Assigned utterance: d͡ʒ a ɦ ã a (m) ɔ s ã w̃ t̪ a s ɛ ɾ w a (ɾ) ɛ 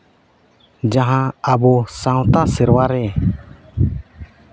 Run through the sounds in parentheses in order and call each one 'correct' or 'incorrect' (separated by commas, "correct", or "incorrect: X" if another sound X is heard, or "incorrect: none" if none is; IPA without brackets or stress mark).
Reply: incorrect: b, correct